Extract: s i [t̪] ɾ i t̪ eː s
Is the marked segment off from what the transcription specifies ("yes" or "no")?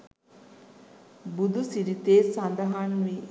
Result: yes